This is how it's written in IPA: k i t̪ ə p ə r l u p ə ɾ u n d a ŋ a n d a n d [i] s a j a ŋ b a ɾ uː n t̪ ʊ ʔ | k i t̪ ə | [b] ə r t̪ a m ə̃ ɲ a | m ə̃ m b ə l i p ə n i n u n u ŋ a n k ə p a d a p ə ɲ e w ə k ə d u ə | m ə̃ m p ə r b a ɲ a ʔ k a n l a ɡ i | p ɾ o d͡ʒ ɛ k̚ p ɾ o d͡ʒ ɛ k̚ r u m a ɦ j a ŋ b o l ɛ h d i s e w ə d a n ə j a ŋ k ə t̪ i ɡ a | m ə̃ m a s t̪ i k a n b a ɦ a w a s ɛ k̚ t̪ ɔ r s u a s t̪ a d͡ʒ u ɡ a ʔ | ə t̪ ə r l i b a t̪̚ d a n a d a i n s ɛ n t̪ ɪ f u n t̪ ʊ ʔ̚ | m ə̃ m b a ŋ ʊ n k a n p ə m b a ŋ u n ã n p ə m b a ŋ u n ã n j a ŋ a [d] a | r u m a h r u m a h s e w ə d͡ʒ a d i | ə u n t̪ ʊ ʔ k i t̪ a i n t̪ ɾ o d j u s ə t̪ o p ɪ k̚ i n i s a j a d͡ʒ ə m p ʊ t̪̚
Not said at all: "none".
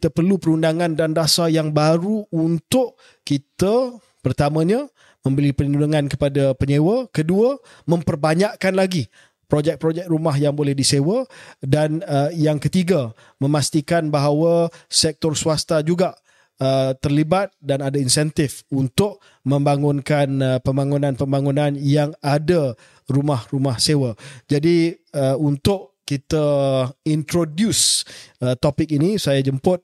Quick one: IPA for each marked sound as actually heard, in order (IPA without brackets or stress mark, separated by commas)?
a, p, d